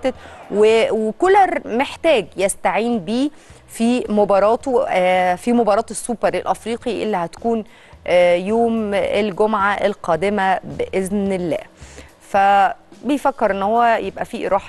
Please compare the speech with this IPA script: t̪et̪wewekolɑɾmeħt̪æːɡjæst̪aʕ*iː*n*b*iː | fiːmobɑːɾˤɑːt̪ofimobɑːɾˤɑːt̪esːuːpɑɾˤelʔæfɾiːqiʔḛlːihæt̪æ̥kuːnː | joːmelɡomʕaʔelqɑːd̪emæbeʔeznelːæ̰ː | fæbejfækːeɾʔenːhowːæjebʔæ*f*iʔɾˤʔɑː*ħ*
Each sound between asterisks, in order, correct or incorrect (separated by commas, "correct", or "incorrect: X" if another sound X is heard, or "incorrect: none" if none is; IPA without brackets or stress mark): correct, correct, correct, correct